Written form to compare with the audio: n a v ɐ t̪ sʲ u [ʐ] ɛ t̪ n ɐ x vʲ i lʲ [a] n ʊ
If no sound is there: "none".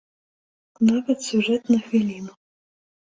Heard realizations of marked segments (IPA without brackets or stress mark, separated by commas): ʐ, i